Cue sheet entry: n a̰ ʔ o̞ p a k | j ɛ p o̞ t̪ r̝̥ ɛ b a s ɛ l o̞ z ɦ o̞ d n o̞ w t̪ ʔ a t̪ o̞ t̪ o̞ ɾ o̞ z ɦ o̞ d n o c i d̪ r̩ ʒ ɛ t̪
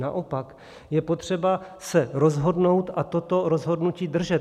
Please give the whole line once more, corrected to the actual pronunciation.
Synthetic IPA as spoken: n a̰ ʔ o̞ p a k | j ɛ p o̞ t̪ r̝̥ ɛ b a s ɛ ɾ o̞ z ɦ o̞ d n o̞ w t̪ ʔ a t̪ o̞ t̪ o̞ ɾ o̞ z ɦ o̞ d n u c iː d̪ r̩ ʒ ɛ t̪